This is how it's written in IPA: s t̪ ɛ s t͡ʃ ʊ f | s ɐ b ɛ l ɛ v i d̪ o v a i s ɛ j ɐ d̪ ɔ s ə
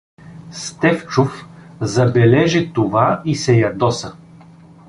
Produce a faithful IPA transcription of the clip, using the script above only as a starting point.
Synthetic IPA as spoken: s t̪ ɛ f t͡ʃ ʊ f | z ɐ b ɛ l ɛ ʒ i t̪ o v a i s ɛ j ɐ d̪ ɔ s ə